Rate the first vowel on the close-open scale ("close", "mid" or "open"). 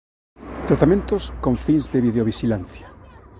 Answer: open